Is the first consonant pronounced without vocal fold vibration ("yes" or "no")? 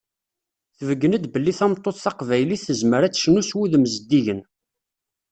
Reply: yes